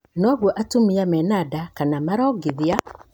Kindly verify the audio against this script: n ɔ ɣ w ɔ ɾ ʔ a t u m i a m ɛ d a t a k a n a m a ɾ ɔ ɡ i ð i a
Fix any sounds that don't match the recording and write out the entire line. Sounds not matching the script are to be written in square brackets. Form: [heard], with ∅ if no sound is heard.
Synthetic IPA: n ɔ ɣ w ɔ [∅] ʔ a t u m i a m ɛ [n] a [d] a k a n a m a ɾ ɔ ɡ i ð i a